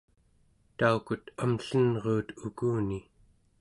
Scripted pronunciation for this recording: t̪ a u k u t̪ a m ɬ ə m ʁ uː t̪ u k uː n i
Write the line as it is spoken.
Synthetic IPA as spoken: t̪ a u k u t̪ a m ɬ ə n ʁ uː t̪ u k uː n i